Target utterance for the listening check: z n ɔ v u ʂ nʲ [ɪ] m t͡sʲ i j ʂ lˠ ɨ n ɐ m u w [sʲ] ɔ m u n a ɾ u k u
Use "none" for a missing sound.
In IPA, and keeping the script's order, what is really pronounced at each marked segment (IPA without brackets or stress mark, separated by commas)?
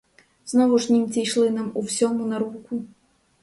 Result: i, sʲ